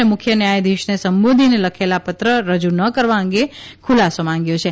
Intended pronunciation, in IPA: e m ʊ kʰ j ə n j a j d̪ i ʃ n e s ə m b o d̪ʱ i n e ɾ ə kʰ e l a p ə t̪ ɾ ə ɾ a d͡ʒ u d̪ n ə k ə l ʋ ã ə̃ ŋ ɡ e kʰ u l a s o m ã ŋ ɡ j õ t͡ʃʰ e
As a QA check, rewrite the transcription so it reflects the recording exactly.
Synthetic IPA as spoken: e m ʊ kʰ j ə n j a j d̪ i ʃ n e s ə m b o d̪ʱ i n e l ə kʰ e l a p ə t̪ ɾ ə ɾ ə d͡ʒ u n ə k ə ɾ ʋ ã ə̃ ŋ ɡ e kʰ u l a s o m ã ŋ ɡ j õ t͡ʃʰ e

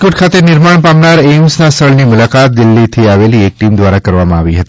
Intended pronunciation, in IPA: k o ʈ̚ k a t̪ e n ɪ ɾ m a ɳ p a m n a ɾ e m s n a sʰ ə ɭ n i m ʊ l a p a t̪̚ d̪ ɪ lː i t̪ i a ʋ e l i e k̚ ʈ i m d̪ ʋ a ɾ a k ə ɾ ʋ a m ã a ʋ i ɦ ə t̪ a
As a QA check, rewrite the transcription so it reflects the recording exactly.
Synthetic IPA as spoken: k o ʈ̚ kʰ a t̪ e n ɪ ɾ m a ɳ p a m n a ɾ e m s n a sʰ ə ɭ n i m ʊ l a k a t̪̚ d̪ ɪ lː i t̪ʰ i a ʋ e l i e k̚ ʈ i m d̪ ʋ a ɾ a k ə ɾ ʋ a m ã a ʋ i ɦ ə t̪ i

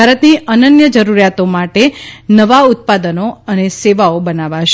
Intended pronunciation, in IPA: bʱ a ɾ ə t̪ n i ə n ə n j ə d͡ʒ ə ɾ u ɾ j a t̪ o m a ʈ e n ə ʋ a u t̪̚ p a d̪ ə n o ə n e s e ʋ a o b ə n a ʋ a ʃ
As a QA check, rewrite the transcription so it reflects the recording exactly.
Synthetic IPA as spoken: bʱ a ɾ ə t̪ n i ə n ə n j ə d͡ʒ ə ɾ u ɾ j a t̪ o m a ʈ e n ə ʋ a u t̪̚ p a d̪ ə n o ə n e s e ʋ a o b ə n a ʋ a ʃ

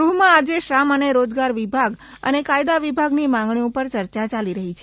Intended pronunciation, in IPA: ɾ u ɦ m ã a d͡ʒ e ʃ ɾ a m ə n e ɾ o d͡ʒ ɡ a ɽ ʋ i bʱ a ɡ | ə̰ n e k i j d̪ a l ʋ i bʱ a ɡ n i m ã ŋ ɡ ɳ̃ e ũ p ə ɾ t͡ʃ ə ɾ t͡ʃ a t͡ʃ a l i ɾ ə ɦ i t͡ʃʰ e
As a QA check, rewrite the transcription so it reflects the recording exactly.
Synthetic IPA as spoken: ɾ u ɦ m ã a d͡ʒ e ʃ ɾ a m ə n e ɾ o d͡ʒ ɡ a ɾ ʋ i bʱ a ɡ | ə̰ n e k a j d̪ a ʋ i bʱ a ɡ n i m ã ŋ ɡ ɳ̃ i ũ p ə ɾ t͡ʃ ə ɾ t͡ʃ a t͡ʃ a l i ɾ ə ɦ i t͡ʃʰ e

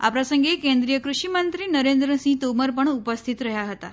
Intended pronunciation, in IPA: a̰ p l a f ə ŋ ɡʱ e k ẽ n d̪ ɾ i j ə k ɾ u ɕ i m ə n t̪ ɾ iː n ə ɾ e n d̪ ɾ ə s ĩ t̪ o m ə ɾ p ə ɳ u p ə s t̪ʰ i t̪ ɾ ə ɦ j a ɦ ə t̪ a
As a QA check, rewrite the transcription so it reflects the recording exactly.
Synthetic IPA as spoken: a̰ p ɾ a s ə ŋ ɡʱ e k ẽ n d̪ ɾ i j ə k ɾ u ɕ i m ə n t̪ ɾ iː n ə ɾ e n d̪ ɾ ə s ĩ t̪ o m ə ɾ p ə ɳ u p ə s t̪ʰ i t̪ ɾ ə ɦ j a ɦ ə t̪ a

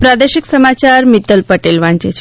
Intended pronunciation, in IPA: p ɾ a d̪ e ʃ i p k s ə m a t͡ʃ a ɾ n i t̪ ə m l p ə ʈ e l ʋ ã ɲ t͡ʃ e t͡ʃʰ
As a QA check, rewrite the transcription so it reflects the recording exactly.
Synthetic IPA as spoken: p ɾ a d̪ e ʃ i k s ə m a t͡ʃ a ɾ m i t̪ ə l p ə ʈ e l ʋ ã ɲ t͡ʃ e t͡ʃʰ

